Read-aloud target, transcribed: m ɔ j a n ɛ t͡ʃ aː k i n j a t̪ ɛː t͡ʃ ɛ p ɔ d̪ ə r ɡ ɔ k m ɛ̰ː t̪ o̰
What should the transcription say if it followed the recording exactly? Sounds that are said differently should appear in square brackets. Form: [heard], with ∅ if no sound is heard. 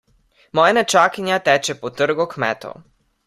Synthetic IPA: m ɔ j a n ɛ t͡ʃ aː k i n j a t̪ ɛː t͡ʃ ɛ p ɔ [t̪] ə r ɡ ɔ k m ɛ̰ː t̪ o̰